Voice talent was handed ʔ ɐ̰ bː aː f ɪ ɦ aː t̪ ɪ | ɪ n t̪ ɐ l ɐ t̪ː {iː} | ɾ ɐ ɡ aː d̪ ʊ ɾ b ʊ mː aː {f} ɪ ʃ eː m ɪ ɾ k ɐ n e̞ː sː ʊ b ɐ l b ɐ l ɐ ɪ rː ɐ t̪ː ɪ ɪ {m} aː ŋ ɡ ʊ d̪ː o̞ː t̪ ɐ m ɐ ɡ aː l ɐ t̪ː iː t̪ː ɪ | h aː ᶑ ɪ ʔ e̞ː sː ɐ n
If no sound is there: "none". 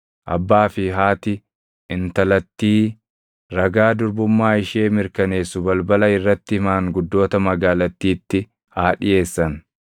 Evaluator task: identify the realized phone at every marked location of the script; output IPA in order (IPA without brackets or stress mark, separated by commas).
iː, none, m